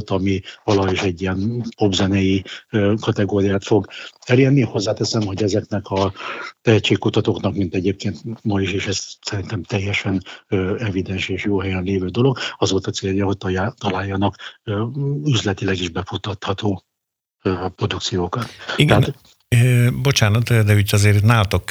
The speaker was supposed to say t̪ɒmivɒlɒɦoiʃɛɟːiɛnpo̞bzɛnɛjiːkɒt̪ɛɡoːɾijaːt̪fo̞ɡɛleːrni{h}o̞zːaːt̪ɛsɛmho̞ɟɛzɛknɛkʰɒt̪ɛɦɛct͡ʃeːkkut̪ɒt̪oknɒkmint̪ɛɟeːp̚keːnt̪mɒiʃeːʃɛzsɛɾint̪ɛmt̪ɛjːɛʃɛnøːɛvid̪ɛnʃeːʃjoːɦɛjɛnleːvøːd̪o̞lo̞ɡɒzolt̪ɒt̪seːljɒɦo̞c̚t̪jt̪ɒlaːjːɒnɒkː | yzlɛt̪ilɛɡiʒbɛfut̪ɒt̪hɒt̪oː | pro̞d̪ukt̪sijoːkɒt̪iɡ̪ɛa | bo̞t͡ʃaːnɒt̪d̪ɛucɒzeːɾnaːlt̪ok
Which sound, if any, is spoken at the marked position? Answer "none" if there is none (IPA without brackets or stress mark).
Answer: h